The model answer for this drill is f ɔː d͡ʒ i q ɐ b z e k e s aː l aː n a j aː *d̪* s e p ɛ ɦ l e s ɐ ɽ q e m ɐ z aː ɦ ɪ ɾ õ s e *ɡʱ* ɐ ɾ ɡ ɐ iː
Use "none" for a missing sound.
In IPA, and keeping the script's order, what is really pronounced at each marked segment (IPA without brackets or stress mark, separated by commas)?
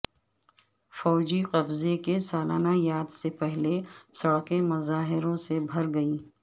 d̪, bʱ